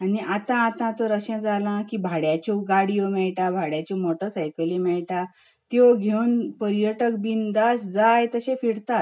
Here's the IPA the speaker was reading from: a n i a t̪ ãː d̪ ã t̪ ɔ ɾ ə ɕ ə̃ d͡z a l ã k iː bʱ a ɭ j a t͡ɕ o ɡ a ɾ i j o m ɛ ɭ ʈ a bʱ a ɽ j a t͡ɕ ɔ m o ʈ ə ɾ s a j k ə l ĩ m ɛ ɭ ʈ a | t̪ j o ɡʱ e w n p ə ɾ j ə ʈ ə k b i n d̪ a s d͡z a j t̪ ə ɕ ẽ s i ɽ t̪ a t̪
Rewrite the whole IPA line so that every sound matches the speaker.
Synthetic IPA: a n i a t̪ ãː t̪ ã t̪ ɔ ɾ ə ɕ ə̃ d͡z a l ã k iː bʱ a ɽ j a t͡ɕ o ɡ a ɽ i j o m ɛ ɭ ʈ a bʱ a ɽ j a t͡ɕ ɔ m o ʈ ə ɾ s a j k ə l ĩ m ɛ ɭ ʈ a | t̪ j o ɡʱ e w n p ə ɾ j ə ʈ ə k b i n d̪ a s d͡z a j t̪ ə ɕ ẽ f i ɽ t̪ a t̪